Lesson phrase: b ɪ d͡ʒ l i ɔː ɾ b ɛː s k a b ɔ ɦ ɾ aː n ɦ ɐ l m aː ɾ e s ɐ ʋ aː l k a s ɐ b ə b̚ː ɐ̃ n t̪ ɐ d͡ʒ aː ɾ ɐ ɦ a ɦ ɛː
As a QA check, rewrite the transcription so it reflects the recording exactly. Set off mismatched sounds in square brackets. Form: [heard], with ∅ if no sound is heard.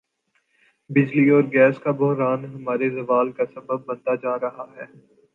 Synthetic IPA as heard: b ɪ d͡ʒ l i ɔː ɾ [ɡ] ɛː s k a b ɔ ɦ ɾ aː n ɦ ɐ [∅] m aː ɾ e [z] ɐ ʋ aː l k a s ɐ b ə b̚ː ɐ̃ n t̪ [a] d͡ʒ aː ɾ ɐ ɦ a ɦ ɛː